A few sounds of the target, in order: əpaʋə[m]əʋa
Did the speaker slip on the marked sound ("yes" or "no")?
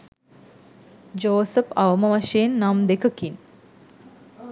no